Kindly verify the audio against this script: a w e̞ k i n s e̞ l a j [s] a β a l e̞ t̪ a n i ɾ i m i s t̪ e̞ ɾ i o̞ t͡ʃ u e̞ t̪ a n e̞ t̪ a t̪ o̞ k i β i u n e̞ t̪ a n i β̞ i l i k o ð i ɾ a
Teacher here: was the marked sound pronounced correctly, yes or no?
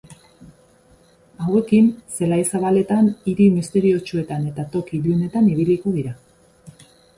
yes